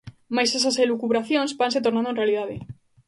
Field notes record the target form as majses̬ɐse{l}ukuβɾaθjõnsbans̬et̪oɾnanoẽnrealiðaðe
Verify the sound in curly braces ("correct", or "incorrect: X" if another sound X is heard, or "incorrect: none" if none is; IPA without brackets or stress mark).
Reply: correct